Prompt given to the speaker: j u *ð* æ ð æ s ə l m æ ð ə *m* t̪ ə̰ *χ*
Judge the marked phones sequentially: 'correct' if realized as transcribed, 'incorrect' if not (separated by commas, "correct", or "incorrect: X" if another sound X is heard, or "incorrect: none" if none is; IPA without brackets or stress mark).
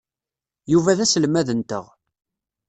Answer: incorrect: v, incorrect: n, incorrect: ʁ